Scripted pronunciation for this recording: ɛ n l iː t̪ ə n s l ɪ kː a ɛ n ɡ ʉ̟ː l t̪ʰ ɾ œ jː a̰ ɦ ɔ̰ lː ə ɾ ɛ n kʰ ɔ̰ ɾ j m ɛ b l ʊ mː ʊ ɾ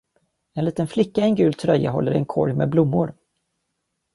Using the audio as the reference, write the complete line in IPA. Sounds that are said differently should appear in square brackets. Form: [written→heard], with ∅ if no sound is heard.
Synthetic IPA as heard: ɛ n l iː t̪ ə n [s→f] l ɪ kː a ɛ n ɡ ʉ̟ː l t̪ʰ ɾ œ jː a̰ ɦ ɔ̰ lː ə ɾ ɛ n kʰ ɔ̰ ɾ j m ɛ b l ʊ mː ʊ ɾ